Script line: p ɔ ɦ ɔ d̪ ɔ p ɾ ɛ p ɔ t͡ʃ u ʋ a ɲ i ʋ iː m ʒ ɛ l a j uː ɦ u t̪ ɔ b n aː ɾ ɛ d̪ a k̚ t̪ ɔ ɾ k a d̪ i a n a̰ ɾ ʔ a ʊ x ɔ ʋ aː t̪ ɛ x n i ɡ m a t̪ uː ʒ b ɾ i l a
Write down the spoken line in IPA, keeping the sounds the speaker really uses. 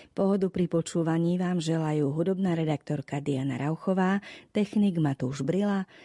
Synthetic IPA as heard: p ɔ ɦ ɔ d̪ u p ɾ i p ɔ t͡ʃ uː ʋ a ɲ iː ʋ aː m ʒ ɛ l a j uː ɦ u d̪ ɔ b n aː ɾ ɛ d̪ a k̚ t̪ ɔ ɾ k a d̪ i a n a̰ ɾ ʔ a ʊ x ɔ ʋ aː t̪ ɛ x n i ɡ m a t̪ uː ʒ b ɾ i l a